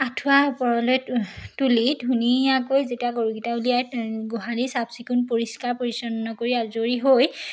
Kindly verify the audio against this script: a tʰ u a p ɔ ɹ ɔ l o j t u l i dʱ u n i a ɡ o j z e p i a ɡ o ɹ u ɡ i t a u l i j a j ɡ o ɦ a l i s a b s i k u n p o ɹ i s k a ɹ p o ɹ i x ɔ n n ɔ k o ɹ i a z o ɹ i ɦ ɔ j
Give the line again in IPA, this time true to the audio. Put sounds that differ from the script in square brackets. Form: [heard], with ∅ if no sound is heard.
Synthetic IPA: a tʰ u a p ɔ ɹ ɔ l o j t u l i dʱ u n i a [k] o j z e [t] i a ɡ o ɹ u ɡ i t a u l i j a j ɡ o ɦ a l i s a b s i k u n p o ɹ i s k a ɹ p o ɹ i [s] ɔ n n ɔ k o ɹ i a z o ɹ i ɦ [o] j